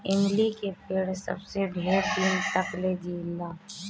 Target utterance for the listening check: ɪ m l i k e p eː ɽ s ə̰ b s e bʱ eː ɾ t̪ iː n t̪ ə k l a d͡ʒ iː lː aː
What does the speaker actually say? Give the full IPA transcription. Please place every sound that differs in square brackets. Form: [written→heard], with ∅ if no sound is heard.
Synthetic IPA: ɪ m l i k e p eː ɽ s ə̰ b s e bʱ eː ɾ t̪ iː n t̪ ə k l [a→e] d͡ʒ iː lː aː